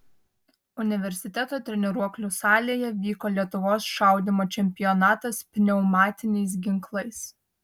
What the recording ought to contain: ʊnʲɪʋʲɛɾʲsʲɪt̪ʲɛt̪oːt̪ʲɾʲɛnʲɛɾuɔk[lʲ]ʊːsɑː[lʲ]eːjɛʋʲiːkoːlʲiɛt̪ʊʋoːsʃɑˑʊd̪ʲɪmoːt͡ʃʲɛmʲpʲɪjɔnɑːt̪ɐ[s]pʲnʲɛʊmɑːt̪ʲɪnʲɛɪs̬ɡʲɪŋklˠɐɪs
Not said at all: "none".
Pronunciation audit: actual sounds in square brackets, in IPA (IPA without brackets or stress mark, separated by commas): lʲ, lʲ, s